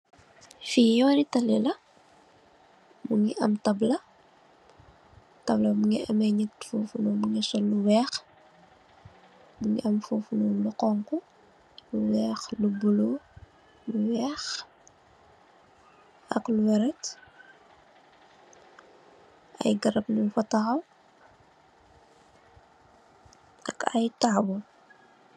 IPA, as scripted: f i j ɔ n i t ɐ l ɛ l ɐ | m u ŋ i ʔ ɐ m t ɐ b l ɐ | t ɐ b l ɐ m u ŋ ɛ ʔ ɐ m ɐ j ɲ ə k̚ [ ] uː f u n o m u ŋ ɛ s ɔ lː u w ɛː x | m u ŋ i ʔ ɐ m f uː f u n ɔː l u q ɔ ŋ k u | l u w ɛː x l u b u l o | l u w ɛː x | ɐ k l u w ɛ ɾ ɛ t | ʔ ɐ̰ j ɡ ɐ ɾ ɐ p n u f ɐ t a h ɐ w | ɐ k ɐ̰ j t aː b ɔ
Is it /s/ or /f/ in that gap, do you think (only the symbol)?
f